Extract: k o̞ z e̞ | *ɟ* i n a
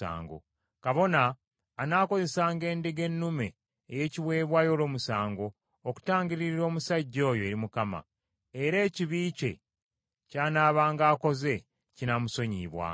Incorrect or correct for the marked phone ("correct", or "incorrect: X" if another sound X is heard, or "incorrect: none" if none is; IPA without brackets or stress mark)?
incorrect: c